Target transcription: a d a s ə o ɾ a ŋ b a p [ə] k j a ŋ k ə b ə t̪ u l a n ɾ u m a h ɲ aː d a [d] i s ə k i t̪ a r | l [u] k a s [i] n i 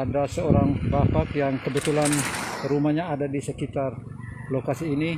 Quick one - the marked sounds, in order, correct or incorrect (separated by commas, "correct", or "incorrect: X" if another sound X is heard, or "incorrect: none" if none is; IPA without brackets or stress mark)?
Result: incorrect: a, correct, incorrect: o, incorrect: iː